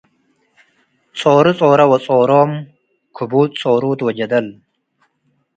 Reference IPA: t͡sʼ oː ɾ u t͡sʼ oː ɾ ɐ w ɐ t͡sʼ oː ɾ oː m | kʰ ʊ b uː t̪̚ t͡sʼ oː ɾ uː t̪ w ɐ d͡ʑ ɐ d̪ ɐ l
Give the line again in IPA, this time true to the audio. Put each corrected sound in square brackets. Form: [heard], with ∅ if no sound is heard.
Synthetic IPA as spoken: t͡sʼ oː ɾ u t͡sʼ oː ɾ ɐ w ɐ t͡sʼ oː ɾ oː m | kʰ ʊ b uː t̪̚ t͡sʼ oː ɾ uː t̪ w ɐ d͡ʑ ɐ d̪ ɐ l